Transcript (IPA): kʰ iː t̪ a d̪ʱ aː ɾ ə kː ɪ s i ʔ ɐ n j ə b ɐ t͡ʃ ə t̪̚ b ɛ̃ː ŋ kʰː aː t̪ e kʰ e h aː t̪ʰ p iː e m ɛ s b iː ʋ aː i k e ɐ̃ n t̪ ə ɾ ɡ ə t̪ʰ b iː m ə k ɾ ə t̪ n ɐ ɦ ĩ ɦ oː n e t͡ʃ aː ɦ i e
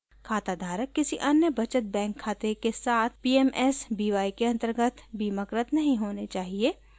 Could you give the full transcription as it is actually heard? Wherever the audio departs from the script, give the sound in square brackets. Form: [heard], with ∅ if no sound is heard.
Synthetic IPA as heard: kʰ [aː] t̪ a d̪ʱ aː ɾ ə kː ɪ s i ʔ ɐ n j ə b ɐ t͡ʃ ə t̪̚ b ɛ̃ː ŋ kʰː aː t̪ e [k] e [s] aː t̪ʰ p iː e m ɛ s b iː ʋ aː i k e ɐ̃ n t̪ ə ɾ ɡ ə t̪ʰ b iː m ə k ɾ ə t̪ n ɐ ɦ ĩ ɦ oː n e t͡ʃ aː ɦ i e